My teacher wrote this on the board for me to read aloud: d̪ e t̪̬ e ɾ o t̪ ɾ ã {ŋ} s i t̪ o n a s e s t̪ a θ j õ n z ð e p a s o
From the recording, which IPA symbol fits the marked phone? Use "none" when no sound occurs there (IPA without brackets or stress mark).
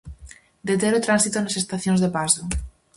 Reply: n